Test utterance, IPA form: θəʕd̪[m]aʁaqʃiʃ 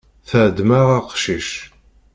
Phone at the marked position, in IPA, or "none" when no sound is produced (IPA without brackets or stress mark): m